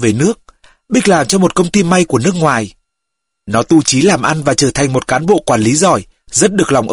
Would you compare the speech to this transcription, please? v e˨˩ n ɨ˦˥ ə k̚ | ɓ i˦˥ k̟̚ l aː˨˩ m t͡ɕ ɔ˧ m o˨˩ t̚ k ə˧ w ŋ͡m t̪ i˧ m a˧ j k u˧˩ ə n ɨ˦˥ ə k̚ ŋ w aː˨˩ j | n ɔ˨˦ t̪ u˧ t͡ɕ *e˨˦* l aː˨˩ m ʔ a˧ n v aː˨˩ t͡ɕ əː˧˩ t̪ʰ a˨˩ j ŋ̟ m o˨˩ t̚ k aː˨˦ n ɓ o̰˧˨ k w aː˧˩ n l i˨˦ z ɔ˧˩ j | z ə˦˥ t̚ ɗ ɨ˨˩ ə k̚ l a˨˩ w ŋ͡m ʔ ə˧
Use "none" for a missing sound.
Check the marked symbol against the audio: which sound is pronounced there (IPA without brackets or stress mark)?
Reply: i˨˦